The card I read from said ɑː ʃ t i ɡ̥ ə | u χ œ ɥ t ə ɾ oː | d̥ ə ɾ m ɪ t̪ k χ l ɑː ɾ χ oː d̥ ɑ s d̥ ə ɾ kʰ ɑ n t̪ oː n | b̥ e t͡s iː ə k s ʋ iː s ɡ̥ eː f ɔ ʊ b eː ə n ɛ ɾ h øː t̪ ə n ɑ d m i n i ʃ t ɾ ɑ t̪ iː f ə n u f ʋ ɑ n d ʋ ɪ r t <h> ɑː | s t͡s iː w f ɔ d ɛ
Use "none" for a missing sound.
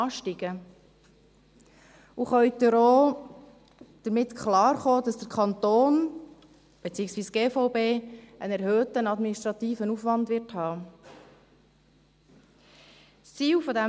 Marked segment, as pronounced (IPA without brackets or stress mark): h